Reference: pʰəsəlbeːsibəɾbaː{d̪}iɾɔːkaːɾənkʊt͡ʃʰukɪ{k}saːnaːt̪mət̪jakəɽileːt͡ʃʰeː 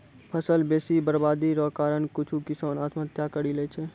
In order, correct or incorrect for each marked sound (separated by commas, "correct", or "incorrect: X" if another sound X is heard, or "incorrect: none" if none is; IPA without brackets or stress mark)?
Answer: correct, incorrect: none